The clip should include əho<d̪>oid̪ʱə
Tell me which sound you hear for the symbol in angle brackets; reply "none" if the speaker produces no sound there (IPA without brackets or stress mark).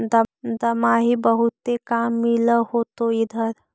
t̪